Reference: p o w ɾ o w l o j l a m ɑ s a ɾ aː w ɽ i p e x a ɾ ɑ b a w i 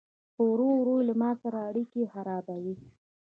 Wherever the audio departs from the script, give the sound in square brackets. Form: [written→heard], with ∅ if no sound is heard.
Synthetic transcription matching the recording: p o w ɾ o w [l→ɾ] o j l a m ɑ s a ɾ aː [w→∅] ɽ i [p→k] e x a ɾ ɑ b a w i